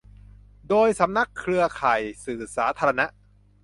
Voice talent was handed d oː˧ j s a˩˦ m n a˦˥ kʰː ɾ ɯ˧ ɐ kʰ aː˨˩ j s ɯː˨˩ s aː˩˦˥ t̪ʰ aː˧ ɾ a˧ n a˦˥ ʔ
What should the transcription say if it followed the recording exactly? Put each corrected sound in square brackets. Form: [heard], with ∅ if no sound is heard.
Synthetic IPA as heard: d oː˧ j s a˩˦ m n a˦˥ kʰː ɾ ɯ˧ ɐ kʰ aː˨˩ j s ɯː˨˩ s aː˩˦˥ t̪ʰ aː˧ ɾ a˧ n a˦˥ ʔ